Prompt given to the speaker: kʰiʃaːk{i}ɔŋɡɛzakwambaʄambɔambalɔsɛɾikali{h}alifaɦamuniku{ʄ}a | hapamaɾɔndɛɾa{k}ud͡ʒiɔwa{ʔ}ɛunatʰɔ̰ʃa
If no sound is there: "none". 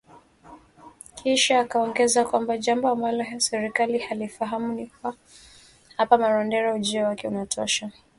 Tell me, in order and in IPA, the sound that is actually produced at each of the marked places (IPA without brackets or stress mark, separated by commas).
a, h, none, none, k